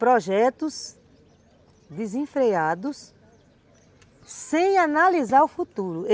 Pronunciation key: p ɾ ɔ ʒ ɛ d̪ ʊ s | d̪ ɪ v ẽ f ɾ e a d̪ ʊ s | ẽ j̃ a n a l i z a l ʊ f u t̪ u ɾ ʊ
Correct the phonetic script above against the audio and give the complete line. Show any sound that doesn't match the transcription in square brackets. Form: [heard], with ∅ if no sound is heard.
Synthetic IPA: p ɾ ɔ ʒ ɛ [t̪] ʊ s | d̪ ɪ [z] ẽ f ɾ e a d̪ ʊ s | ẽ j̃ a n a l i z a [ɾ] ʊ f u t̪ u ɾ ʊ